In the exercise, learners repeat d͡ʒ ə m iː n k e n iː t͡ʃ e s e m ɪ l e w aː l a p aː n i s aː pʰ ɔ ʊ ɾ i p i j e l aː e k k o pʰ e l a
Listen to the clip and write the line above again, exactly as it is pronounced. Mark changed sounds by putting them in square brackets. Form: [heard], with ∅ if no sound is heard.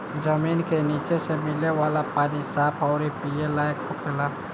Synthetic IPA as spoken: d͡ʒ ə m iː n k e n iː t͡ʃ e s e m ɪ l e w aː l a p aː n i s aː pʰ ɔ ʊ ɾ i p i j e l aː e k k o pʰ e l a